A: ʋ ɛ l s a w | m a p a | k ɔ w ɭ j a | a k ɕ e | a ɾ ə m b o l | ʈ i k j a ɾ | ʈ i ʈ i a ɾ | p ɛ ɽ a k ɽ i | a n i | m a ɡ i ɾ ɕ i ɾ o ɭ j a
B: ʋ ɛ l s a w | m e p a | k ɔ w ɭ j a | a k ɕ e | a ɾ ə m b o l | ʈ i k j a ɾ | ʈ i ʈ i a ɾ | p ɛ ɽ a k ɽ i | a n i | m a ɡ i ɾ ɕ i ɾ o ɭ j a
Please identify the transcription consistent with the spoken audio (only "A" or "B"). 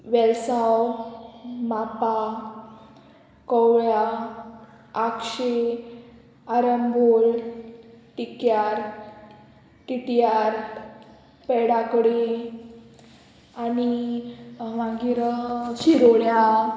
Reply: A